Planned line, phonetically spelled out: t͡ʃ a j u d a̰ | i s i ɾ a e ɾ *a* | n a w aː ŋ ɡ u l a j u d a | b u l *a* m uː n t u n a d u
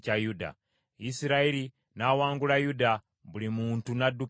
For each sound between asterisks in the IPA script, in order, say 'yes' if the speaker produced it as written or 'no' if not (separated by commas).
no, no